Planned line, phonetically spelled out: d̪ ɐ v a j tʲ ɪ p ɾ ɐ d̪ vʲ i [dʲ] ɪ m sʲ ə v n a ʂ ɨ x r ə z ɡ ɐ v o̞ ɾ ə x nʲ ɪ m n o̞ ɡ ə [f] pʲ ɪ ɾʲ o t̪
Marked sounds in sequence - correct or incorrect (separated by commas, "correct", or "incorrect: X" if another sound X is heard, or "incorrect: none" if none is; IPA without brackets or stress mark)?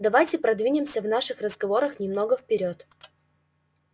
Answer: incorrect: nʲ, correct